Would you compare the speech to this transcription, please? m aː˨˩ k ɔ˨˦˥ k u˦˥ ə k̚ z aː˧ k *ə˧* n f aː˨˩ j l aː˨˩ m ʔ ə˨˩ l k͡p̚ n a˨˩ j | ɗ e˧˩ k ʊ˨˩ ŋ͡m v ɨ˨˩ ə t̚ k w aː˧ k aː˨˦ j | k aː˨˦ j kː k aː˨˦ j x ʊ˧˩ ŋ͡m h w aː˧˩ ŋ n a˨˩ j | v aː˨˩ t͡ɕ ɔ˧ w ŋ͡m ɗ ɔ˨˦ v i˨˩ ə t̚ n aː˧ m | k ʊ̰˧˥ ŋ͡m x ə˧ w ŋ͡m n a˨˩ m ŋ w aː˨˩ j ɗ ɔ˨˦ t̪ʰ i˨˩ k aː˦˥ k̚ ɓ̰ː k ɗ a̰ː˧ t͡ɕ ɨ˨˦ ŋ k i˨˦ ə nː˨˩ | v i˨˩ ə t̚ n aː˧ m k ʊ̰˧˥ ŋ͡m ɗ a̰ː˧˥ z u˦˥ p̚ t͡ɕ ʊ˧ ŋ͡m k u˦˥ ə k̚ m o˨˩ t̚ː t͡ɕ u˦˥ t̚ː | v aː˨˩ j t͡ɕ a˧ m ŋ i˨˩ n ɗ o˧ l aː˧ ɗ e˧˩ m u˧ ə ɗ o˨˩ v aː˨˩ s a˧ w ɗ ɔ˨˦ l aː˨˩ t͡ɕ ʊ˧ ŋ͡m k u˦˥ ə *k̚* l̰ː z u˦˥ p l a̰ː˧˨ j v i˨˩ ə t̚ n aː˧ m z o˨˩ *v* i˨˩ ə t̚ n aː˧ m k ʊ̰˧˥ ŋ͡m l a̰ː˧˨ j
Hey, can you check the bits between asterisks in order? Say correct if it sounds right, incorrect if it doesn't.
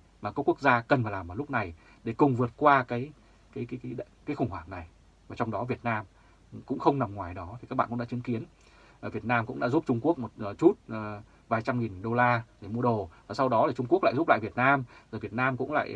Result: incorrect: ə˨˩, correct, correct

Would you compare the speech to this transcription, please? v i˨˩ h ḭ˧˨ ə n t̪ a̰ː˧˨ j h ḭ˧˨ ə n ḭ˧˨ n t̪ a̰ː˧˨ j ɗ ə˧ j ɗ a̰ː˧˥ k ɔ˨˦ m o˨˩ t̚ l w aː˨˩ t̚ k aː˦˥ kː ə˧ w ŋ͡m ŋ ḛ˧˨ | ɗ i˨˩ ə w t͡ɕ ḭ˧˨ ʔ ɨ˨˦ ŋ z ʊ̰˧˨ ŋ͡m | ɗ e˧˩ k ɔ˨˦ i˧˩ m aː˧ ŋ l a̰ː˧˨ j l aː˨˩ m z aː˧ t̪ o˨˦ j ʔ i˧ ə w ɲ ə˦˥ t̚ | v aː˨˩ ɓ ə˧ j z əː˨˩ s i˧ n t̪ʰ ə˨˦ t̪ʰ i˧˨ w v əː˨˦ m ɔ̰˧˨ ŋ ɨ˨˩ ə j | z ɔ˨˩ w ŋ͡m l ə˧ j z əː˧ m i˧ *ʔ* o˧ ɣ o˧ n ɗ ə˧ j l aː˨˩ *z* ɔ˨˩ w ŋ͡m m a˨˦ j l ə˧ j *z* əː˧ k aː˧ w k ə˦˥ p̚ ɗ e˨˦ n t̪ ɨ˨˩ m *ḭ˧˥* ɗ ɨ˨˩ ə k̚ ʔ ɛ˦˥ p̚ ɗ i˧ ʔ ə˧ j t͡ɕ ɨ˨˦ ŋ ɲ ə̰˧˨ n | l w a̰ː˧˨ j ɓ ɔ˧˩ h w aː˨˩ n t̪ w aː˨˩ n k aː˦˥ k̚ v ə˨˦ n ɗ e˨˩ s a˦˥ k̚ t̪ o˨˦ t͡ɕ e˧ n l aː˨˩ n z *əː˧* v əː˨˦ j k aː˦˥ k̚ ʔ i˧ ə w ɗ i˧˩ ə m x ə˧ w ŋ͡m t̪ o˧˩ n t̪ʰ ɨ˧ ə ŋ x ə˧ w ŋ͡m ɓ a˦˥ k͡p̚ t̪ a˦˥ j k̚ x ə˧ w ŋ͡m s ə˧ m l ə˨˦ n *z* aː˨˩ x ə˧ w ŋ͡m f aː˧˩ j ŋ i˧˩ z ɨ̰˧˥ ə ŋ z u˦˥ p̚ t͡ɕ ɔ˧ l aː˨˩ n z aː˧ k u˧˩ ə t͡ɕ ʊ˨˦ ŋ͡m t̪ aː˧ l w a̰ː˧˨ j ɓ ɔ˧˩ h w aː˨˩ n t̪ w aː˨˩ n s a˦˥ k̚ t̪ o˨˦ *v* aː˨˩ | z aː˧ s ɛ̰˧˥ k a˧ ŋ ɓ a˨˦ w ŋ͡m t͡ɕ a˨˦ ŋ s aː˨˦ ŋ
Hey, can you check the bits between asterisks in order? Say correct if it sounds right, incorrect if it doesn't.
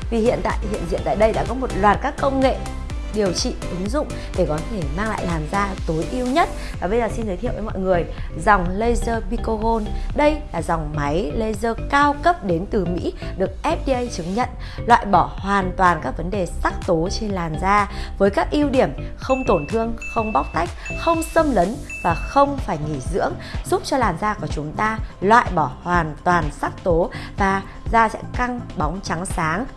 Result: incorrect: k, correct, correct, correct, incorrect: aː˧, incorrect: v, correct

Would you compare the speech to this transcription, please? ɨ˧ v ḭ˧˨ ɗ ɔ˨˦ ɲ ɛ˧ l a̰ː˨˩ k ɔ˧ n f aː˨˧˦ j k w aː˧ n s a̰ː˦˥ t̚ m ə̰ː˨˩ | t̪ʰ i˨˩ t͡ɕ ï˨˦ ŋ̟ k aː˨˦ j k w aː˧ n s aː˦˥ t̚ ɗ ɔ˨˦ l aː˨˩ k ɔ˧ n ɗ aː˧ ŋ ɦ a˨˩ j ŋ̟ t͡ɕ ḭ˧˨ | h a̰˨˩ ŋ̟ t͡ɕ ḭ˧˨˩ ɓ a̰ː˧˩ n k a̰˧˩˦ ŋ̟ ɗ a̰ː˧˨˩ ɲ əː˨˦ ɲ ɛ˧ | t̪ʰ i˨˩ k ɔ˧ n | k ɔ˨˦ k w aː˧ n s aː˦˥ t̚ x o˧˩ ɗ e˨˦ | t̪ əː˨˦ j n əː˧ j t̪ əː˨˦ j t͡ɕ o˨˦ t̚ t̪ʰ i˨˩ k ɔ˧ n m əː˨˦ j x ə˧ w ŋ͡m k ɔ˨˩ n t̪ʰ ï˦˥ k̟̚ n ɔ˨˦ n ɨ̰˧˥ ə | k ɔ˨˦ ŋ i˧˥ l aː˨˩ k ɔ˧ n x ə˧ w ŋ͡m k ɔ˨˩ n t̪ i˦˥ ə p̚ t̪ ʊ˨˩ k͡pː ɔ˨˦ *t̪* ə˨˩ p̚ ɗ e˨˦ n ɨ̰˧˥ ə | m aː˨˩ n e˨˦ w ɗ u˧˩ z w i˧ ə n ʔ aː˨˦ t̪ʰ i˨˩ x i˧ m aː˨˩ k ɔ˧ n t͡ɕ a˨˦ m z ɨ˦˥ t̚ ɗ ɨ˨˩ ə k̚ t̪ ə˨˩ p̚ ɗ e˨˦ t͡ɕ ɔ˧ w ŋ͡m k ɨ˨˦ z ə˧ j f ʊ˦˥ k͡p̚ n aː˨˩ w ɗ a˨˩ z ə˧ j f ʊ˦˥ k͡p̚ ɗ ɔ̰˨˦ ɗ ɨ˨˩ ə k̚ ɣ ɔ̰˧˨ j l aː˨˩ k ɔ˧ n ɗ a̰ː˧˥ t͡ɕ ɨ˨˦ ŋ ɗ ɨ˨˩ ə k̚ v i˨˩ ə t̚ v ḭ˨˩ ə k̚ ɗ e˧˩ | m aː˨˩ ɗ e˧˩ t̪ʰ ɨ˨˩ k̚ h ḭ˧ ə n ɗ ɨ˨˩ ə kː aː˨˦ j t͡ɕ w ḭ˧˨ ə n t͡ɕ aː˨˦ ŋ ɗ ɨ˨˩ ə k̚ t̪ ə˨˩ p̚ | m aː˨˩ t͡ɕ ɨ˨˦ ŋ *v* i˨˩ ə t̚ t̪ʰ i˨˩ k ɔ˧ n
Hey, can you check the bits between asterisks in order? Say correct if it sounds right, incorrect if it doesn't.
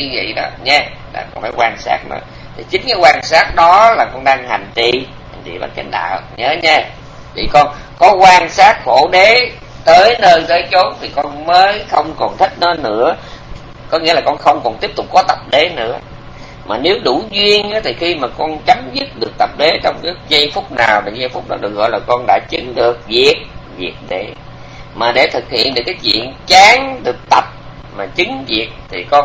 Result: correct, correct

